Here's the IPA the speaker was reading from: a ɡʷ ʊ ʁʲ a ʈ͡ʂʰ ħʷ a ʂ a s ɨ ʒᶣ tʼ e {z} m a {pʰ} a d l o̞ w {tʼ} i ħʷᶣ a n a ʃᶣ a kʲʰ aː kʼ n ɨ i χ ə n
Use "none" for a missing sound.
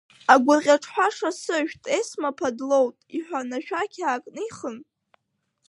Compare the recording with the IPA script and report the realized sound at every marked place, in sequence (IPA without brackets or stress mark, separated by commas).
s, pʰ, tʼ